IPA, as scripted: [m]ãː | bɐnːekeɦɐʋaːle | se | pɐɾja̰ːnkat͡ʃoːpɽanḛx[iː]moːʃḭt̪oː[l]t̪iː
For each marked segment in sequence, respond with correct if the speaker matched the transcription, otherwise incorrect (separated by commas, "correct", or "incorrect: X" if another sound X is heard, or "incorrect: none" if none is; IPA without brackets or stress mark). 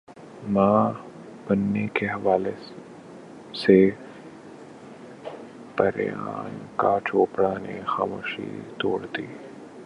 correct, incorrect: aː, incorrect: ɽ